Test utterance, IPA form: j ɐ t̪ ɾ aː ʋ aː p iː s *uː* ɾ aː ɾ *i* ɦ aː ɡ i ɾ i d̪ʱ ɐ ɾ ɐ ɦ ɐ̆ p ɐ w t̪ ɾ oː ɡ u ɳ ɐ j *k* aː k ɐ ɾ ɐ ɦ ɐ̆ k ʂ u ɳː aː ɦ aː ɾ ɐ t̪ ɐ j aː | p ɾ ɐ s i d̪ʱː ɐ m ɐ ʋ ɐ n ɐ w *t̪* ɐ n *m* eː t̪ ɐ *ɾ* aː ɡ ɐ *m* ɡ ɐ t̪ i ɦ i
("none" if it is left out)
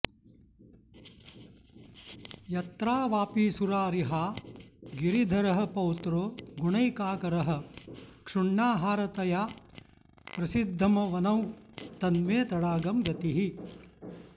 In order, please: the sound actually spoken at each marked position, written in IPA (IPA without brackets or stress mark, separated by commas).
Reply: u, i, k, t̪, m, ɽ, m